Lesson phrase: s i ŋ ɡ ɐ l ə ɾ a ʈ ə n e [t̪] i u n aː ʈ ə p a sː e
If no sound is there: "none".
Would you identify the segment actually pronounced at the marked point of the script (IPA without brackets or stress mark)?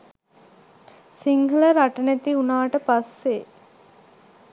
t̪